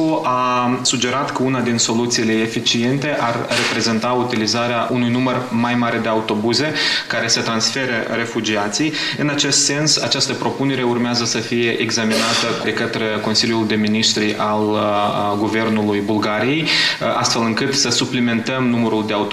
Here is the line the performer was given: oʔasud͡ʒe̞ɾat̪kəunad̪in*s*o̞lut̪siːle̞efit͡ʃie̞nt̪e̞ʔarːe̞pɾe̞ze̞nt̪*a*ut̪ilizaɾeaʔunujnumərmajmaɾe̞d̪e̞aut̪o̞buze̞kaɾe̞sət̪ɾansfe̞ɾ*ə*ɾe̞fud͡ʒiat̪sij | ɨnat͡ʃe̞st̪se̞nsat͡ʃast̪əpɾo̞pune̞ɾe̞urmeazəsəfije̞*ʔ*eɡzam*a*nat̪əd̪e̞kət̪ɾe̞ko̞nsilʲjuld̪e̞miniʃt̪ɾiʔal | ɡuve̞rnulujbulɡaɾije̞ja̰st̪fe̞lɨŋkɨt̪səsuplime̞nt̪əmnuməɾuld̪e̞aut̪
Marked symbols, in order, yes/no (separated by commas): yes, yes, yes, yes, no